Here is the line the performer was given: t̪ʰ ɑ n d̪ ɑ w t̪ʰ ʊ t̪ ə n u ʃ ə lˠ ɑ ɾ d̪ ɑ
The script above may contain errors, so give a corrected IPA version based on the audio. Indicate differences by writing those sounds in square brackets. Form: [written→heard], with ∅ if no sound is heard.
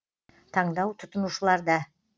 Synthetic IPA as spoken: t̪ʰ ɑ [n→ɴ] d̪ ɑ w t̪ʰ ʊ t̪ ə n u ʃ ə lˠ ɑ ɾ d̪ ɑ